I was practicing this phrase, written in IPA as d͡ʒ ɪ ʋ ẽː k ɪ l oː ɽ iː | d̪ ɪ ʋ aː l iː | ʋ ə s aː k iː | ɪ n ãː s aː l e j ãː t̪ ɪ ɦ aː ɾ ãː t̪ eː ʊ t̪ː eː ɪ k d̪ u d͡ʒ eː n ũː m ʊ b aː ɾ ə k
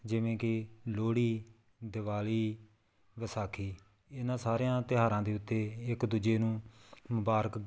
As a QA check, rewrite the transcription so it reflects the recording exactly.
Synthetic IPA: d͡ʒ ɪ ʋ ẽː k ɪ l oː ɽ iː | d̪ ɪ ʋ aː l iː | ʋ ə s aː kʰ iː | ɪ n ãː s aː ɾ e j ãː t̪ ɪ ɦ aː ɾ ãː d̪ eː ʊ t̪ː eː ɪ k d̪ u d͡ʒ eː n ũː m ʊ b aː ɾ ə k

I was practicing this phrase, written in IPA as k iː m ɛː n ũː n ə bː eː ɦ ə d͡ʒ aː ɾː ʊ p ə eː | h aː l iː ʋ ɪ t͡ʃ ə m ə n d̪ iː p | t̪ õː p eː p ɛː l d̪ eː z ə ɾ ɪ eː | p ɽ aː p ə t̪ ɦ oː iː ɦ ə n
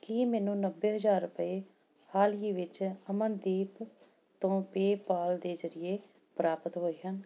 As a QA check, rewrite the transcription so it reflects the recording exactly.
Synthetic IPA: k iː m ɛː n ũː n ə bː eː ɦ ə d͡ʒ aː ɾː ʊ p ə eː | h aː l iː ʋ ɪ t͡ʃ ə m ə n d̪ iː p | t̪ õː p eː p aː l d̪ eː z ə ɾ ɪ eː | p ɾ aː p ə t̪ ɦ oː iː ɦ ə n

